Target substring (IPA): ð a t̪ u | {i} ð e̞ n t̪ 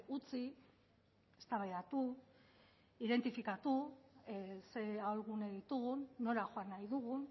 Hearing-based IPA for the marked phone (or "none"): i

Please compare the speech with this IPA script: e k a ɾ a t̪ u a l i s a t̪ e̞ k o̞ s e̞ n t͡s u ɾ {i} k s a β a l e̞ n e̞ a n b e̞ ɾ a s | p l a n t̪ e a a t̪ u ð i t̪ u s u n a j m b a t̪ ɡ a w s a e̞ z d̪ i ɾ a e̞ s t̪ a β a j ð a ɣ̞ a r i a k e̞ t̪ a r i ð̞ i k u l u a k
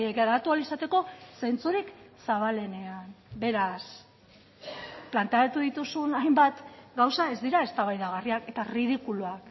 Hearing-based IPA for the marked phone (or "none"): i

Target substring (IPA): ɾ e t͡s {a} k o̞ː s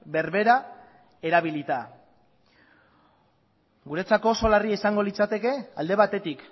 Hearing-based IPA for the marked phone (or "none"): a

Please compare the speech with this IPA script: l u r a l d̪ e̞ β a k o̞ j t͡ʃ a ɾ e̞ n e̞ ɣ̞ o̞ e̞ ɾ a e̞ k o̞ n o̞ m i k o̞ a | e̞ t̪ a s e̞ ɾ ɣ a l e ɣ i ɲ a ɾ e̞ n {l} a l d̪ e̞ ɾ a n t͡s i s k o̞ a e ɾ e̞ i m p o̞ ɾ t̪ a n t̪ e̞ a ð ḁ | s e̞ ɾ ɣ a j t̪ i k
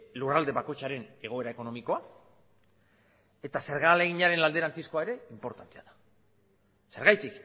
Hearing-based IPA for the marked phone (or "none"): l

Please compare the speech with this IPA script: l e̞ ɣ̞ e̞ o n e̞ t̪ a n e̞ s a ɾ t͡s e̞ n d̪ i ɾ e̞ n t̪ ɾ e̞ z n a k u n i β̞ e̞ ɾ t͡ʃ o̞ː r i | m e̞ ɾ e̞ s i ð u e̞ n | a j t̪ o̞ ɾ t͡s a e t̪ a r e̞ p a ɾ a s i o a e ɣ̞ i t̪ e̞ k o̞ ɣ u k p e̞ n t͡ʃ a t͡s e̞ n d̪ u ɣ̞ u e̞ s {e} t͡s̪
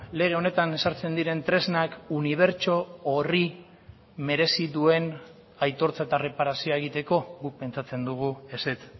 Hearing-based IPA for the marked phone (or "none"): e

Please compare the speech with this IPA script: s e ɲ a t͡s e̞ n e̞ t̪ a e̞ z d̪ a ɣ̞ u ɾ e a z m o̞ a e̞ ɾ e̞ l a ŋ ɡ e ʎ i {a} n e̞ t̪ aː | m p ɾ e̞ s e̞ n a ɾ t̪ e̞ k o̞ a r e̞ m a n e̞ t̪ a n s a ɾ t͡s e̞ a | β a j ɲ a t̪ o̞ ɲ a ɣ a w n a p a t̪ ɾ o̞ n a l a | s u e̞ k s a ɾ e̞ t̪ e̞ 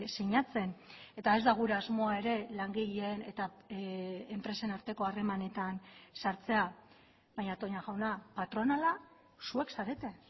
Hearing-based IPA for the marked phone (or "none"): e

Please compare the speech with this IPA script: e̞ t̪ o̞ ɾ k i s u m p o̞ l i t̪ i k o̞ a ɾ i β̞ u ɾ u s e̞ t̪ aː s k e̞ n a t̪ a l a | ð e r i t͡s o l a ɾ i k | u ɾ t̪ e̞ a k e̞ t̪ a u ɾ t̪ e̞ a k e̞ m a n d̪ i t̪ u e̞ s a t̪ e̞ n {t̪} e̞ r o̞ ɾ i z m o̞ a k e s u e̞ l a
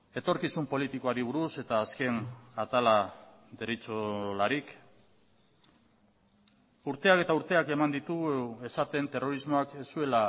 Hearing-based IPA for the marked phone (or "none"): t̪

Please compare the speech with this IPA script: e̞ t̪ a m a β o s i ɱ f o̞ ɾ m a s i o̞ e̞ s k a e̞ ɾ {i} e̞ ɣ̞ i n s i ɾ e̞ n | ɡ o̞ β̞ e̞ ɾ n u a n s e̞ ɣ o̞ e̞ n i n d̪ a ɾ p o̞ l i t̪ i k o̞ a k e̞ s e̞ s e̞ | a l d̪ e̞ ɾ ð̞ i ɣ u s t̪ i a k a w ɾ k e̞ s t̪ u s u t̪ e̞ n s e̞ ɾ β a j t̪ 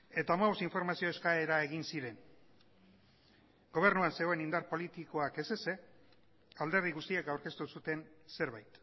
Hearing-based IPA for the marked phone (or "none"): a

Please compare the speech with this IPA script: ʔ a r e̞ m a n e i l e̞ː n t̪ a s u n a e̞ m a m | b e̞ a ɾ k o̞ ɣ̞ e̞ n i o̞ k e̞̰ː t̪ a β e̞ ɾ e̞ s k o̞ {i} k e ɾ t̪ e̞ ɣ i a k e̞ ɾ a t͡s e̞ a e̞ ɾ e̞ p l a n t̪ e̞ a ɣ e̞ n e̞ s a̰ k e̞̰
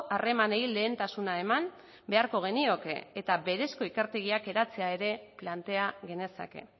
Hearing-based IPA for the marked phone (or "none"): i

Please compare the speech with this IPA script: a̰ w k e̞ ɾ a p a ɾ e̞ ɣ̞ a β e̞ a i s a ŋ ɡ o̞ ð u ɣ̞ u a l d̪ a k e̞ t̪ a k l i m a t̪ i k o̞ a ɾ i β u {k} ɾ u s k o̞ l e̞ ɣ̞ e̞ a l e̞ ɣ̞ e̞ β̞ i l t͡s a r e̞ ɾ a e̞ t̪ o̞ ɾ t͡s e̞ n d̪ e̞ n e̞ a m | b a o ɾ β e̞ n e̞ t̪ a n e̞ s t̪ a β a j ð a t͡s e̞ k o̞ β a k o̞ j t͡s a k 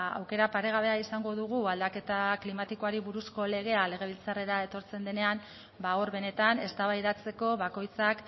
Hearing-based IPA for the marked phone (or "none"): none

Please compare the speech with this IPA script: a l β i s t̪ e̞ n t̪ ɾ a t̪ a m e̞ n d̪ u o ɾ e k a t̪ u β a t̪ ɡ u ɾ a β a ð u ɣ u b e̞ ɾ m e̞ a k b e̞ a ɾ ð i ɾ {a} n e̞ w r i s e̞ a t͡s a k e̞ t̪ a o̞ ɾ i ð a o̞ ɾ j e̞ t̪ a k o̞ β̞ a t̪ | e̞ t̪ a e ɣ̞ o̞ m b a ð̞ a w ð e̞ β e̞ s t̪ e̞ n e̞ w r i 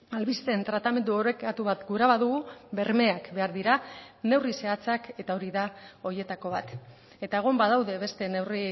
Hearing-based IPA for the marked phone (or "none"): a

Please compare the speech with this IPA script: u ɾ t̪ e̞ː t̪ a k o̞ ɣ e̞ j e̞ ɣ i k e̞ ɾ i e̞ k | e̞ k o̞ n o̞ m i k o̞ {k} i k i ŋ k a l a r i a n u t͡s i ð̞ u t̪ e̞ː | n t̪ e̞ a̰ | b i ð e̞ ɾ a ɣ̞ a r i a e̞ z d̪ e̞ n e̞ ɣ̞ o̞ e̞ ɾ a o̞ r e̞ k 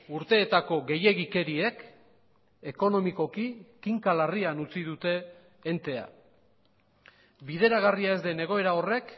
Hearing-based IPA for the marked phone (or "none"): k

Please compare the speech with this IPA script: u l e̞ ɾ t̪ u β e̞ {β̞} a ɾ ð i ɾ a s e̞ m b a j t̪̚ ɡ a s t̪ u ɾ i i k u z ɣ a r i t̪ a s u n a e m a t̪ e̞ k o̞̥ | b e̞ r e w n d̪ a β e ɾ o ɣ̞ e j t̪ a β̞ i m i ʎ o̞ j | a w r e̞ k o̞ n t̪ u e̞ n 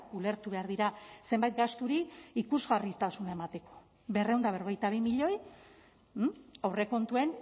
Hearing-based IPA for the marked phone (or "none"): none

